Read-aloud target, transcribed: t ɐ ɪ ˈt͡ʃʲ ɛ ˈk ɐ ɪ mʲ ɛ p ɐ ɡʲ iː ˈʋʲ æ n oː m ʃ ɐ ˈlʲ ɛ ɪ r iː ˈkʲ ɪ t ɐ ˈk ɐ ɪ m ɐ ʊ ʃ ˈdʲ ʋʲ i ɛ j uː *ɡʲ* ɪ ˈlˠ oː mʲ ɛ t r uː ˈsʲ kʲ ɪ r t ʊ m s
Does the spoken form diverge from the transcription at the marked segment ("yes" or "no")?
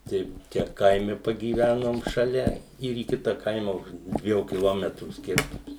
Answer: yes